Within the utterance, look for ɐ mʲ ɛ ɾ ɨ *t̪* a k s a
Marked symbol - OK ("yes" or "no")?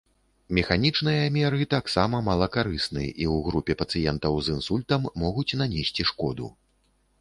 yes